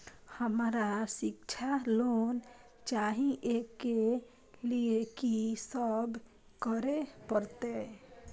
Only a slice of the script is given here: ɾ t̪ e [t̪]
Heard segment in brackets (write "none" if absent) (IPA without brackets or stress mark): none